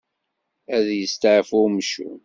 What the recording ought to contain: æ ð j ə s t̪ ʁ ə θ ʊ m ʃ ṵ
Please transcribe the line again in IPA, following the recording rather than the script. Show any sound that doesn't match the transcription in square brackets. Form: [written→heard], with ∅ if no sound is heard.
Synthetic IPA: æ ð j ə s t̪ [ʁ→ʕ] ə [θ→f] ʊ m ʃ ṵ

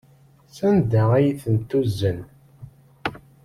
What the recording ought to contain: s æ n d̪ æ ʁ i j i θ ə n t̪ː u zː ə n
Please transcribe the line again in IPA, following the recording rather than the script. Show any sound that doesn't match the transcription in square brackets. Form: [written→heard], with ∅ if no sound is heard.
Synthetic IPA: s æ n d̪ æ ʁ [i→æ] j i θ ə n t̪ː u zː ə n

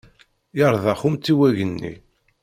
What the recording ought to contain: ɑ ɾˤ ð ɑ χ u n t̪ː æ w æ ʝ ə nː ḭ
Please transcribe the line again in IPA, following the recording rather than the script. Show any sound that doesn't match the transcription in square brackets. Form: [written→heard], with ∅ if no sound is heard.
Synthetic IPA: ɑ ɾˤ ð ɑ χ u [n→m] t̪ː [æ→i] w æ ʝ ə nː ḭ

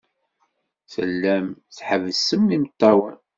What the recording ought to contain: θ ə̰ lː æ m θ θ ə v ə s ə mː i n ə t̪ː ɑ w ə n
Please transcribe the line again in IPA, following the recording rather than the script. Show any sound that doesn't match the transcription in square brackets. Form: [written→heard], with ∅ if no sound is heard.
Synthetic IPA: [θ→s] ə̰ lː æ m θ [θ→ħ] ə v ə s ə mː i [n→m] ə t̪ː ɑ w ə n

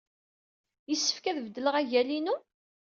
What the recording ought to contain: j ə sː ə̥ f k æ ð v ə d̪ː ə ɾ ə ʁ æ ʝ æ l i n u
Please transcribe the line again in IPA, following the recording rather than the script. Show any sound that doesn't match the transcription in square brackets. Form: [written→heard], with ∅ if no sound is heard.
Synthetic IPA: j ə sː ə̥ f k æ ð v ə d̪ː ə [ɾ→l] ə ʁ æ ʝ æ l i n u

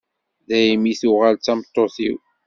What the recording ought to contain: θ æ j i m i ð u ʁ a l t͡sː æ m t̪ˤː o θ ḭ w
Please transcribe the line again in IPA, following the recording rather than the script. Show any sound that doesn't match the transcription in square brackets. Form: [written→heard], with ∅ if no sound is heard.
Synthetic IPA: [θ→ð] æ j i m i [ð→θ] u ʁ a l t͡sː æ m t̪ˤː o θ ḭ w

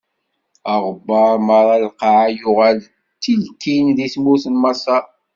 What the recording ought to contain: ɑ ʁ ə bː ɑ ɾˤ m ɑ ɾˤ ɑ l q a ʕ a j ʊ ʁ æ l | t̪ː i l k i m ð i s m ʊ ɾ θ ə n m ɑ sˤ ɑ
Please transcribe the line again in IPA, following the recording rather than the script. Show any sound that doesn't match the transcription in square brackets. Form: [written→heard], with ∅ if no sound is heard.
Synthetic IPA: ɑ ʁ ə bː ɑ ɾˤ m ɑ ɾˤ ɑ l q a ʕ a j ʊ ʁ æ l | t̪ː i l k i [m→n] ð i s m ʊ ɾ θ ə n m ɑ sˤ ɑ

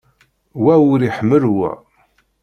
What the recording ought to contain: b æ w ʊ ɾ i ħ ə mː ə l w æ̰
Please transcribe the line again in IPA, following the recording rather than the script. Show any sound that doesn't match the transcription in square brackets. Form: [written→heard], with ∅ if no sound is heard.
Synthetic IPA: [b→w] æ w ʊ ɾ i ħ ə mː ə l w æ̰

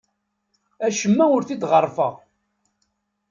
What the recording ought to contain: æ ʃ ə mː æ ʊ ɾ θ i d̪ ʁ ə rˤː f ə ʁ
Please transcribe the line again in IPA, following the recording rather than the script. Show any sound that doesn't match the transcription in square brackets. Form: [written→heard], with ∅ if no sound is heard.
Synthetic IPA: æ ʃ ə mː æ ʊ ɾ θ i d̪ ʁ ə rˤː f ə ʁ

